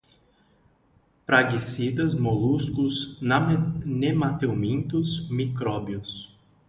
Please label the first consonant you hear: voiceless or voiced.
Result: voiceless